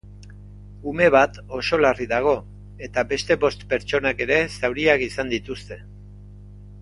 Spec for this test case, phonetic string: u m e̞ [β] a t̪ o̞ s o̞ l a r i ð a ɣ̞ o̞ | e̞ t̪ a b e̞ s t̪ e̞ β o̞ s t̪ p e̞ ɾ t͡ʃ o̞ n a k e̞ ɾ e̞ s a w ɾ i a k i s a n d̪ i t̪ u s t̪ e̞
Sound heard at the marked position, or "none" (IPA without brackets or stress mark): β